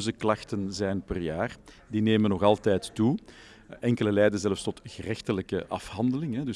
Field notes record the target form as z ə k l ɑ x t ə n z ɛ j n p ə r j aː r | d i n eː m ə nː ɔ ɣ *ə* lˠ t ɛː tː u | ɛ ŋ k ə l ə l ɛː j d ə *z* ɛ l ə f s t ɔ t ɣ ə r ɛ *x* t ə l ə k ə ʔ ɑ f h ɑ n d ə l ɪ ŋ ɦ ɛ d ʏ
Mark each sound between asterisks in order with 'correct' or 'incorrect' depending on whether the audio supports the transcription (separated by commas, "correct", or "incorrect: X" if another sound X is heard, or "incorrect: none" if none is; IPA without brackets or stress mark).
incorrect: ɑ, correct, correct